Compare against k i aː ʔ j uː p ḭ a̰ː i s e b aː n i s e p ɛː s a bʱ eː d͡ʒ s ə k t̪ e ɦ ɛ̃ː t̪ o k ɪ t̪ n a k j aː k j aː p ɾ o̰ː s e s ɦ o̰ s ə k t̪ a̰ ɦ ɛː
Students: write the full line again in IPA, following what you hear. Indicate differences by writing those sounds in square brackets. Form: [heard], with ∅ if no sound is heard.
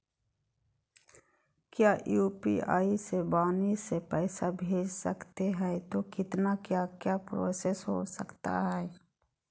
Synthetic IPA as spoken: k [j] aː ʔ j uː p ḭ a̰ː i s e b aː n i s e p ɛː s a bʱ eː d͡ʒ s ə k t̪ e ɦ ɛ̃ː t̪ o k ɪ t̪ n a k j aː k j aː p ɾ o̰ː s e s ɦ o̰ s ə k t̪ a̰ ɦ ɛː

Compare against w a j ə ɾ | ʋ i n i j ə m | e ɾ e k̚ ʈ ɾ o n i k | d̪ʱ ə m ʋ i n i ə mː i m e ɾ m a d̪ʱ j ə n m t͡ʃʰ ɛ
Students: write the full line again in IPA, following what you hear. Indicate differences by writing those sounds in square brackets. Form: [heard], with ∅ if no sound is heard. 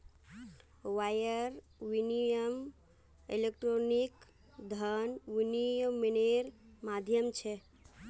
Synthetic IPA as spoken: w a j ə ɾ | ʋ i n i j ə m | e [l] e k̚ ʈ ɾ o n i k | d̪ʱ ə [n] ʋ i n i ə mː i [n] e ɾ m a d̪ʱ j ə [∅] m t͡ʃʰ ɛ

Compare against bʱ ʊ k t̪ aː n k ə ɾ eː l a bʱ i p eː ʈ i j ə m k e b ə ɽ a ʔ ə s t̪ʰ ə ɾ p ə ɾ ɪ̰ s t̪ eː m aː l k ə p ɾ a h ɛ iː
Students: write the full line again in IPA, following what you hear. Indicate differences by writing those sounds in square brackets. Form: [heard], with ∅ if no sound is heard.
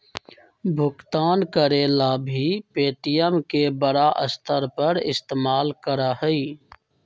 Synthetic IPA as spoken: bʱ ʊ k t̪ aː n k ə ɾ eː l a bʱ i p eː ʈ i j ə m k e b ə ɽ a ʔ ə s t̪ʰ ə ɾ p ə ɾ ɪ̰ s t̪ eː m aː l k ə [∅] ɾ a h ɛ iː

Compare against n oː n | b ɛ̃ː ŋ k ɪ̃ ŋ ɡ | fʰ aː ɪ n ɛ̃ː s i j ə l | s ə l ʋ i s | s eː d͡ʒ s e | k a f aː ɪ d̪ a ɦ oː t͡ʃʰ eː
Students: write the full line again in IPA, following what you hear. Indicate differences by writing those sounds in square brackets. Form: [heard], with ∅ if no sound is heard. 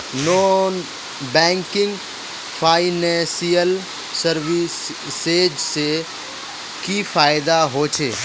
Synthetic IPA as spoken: n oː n | b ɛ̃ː ŋ k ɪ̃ ŋ ɡ | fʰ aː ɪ n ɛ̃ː s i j ə l | s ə [ɾ] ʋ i s | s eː d͡ʒ s e | k [i] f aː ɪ d̪ a ɦ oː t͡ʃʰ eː

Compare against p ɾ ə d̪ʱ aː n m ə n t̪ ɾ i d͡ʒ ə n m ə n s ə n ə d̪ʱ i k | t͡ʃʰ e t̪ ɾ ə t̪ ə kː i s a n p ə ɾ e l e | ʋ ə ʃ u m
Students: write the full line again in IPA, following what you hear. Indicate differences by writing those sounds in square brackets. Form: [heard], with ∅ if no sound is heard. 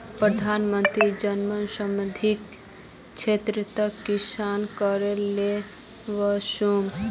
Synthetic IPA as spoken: p ɾ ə d̪ʱ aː n m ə n t̪ ɾ i d͡ʒ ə n m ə n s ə [m] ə d̪ʱ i k | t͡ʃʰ e t̪ ɾ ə t̪ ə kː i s a n [k] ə ɾ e l e | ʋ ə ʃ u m

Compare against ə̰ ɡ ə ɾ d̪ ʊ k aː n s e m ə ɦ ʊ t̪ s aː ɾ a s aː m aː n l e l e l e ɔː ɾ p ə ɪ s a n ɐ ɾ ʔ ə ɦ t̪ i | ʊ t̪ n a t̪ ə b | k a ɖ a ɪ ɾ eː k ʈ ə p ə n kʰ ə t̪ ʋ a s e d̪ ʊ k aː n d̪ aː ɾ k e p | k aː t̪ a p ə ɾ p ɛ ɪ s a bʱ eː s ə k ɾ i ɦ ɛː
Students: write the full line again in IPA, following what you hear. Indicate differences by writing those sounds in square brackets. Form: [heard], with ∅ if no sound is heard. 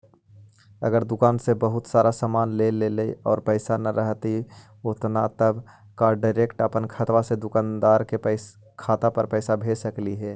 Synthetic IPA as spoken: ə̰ ɡ ə ɾ d̪ ʊ k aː n s e [b] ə ɦ ʊ t̪ s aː ɾ a s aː m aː n l e l e l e ɔː ɾ p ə ɪ s a n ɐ ɾ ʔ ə ɦ t̪ i | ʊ t̪ n a t̪ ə b | k a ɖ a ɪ ɾ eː k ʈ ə p ə n kʰ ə t̪ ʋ a s e d̪ ʊ k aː n d̪ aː ɾ k e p | [kʰ] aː t̪ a p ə ɾ p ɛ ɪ s a bʱ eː s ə k [l] i ɦ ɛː

